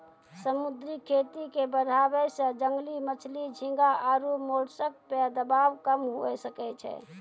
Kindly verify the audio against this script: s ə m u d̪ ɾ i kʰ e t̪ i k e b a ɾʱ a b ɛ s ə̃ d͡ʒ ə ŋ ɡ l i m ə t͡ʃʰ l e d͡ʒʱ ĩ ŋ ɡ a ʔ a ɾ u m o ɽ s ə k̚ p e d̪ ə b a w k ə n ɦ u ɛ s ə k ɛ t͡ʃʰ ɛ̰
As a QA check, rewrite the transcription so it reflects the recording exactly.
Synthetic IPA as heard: s ə m u d̪ ɾ i kʰ e t̪ i k e b ə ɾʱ a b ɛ s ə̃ d͡ʒ ə ŋ ɡ l i m ə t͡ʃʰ l i d͡ʒʱ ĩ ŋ ɡ a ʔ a ɾ u m o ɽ s ə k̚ p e d̪ ə b a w k ə m ɦ u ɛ s ə k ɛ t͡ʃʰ ɛ̰